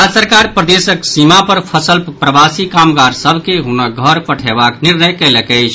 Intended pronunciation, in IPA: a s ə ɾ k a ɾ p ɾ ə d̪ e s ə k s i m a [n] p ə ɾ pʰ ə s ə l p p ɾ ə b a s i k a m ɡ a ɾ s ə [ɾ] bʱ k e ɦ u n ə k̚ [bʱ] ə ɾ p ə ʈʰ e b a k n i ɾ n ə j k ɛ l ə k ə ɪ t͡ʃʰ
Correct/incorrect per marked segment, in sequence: incorrect, incorrect, incorrect

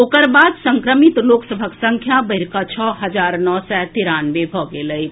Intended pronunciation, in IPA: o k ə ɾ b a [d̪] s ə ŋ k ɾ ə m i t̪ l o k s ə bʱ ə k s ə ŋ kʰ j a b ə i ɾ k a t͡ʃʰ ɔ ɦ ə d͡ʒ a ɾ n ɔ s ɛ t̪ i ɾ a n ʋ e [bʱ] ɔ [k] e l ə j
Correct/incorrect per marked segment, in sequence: correct, correct, incorrect

